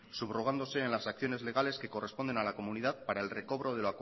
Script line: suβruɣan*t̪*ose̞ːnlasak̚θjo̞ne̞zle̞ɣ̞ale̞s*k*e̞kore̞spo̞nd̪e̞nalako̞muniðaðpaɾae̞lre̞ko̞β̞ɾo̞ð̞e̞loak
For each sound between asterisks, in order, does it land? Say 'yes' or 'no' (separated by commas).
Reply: no, yes